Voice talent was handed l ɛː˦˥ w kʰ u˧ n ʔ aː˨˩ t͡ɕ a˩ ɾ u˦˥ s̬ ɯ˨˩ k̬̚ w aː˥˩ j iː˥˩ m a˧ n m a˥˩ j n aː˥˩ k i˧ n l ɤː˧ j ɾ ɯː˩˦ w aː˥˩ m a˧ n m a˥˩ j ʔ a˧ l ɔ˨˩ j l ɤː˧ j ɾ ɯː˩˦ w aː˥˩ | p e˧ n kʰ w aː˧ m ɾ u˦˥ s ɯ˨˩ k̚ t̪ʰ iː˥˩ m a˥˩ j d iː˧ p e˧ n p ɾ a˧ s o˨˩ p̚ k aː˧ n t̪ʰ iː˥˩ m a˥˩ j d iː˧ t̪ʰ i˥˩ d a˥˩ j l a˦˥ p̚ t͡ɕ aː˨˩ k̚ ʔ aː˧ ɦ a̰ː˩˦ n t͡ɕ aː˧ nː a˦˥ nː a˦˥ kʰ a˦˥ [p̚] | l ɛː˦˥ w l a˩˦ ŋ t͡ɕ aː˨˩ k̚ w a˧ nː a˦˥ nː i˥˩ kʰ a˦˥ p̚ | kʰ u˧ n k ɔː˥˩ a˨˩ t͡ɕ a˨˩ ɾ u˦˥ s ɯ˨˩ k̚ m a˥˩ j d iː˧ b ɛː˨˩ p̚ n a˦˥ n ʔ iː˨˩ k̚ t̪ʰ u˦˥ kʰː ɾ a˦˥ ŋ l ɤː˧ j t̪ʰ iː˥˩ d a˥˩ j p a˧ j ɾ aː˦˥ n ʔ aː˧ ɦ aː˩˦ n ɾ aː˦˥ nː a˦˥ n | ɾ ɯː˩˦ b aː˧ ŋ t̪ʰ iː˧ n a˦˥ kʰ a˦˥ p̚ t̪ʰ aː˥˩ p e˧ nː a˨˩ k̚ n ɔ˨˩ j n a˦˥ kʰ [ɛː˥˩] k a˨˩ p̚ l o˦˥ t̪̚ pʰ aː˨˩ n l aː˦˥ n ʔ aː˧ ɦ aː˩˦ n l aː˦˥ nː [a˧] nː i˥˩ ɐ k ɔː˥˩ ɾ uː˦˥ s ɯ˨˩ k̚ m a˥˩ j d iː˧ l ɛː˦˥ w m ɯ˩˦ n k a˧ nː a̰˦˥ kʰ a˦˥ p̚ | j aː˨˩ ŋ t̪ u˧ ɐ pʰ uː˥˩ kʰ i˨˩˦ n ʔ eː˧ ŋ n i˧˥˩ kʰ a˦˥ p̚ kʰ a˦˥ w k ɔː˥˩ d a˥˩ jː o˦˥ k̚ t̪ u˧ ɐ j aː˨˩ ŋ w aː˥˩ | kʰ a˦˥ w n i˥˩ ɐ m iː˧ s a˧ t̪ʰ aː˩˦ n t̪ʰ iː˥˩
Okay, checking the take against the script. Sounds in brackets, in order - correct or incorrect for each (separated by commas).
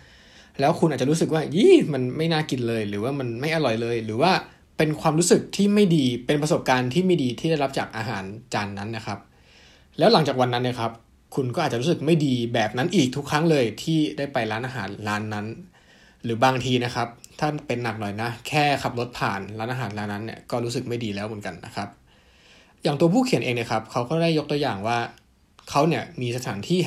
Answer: correct, correct, incorrect